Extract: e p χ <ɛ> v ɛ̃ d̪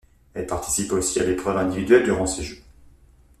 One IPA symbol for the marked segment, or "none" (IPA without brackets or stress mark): œ